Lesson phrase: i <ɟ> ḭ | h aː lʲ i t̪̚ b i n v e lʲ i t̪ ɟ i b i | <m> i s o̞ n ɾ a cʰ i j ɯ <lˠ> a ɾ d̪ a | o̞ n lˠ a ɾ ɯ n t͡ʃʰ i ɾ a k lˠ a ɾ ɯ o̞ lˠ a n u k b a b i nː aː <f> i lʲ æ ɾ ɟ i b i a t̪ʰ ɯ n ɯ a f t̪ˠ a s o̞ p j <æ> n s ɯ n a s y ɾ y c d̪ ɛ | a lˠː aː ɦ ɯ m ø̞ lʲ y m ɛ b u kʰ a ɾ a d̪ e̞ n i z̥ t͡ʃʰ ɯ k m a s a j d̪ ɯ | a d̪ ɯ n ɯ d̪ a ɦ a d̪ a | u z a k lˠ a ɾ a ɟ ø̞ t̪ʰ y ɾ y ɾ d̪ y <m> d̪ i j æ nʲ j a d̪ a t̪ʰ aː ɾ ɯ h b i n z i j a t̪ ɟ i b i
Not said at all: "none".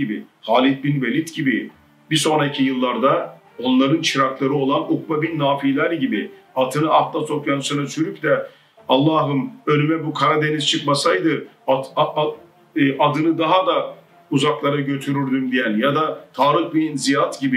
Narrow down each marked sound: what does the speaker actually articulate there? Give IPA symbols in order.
b, b, lˠː, f, a, m

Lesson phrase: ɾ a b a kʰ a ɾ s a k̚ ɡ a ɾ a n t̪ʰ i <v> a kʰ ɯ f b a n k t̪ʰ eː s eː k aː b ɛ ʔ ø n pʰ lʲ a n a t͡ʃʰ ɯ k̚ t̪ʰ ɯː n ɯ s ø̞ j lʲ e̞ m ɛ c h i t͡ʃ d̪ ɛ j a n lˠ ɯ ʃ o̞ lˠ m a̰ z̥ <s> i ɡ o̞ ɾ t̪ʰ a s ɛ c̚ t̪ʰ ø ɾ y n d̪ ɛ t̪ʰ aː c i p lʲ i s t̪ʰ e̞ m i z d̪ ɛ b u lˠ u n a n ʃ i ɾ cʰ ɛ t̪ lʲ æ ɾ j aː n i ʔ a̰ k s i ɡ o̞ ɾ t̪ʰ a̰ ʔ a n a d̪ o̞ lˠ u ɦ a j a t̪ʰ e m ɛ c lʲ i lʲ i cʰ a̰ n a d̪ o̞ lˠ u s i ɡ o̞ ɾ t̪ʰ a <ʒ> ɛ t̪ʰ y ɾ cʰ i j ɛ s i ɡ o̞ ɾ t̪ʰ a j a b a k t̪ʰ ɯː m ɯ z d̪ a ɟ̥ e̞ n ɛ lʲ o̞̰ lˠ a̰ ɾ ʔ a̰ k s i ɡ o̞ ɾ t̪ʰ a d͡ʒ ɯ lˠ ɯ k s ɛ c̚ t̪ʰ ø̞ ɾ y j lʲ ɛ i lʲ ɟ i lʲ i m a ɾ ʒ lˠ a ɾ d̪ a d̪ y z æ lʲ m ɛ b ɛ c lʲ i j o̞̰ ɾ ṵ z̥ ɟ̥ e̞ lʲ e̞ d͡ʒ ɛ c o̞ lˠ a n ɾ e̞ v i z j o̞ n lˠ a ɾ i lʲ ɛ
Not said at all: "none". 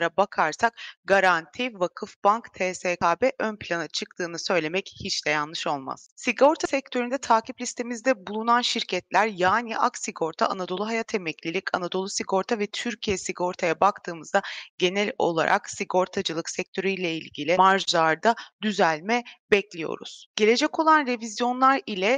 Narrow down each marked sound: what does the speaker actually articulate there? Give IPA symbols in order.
v, s, v

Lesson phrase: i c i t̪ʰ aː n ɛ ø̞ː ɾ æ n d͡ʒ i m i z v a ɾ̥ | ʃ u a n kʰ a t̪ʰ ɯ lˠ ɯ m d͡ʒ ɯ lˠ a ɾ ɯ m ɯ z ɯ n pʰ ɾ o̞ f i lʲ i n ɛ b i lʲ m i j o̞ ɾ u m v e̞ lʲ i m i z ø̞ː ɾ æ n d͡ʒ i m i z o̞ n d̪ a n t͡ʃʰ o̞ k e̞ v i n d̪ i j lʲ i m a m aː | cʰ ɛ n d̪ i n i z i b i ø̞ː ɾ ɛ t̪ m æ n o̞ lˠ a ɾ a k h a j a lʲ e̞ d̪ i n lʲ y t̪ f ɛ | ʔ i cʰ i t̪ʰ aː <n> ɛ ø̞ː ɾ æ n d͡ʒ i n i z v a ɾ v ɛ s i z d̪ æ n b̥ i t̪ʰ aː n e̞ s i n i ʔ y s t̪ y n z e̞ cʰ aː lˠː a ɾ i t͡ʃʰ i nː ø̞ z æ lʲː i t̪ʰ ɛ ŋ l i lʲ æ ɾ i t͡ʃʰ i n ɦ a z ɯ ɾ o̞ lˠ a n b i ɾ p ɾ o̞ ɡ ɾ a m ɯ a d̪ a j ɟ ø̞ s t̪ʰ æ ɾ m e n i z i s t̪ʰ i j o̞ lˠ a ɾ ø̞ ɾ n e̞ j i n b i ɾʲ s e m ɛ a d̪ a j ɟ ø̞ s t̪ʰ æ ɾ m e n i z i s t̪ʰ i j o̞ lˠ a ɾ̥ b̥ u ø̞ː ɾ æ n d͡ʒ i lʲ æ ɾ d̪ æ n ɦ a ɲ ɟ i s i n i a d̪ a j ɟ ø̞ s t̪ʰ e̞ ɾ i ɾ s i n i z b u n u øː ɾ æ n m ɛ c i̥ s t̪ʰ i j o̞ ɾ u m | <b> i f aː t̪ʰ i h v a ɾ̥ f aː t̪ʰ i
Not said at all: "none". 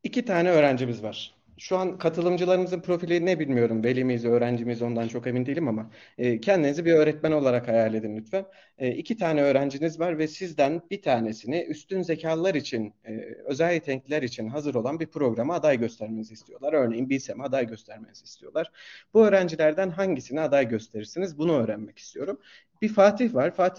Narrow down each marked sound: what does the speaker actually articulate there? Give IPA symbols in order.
n, b

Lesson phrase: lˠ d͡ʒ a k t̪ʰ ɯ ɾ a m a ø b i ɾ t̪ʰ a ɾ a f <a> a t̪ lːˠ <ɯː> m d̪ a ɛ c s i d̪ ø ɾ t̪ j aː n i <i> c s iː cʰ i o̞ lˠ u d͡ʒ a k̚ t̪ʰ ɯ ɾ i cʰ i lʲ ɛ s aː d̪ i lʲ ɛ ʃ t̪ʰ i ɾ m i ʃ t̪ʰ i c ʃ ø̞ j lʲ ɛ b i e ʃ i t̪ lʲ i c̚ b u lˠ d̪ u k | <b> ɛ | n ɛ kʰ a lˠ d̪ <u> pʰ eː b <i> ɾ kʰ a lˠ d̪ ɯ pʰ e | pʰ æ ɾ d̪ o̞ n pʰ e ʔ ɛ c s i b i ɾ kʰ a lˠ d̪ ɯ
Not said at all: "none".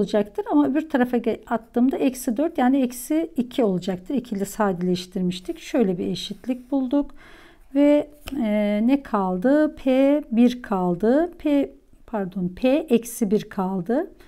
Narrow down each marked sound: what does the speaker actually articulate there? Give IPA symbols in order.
a, ɯː, ɛ, v, ɯ, i

